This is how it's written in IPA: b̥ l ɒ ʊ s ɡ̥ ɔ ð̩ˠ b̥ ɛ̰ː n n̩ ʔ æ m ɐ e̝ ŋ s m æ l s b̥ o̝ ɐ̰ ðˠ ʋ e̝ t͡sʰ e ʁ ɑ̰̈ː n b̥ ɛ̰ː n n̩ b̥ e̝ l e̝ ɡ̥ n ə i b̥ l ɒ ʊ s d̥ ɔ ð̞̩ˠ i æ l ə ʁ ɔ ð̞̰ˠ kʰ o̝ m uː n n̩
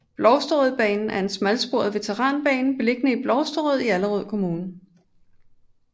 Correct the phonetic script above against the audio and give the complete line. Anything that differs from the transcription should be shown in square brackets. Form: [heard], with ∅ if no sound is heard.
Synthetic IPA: b̥ l ɒ ʊ s [d̥] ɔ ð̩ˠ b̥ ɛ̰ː n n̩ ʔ æ [∅] ɐ e̝ [n] s m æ l s b̥ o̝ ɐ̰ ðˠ ʋ e̝ t͡sʰ e ʁ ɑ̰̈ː n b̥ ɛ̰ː n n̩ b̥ e̝ l e̝ ɡ̥ n ə i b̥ l ɒ ʊ s d̥ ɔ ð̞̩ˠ i æ l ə ʁ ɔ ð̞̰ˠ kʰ o̝ m uː n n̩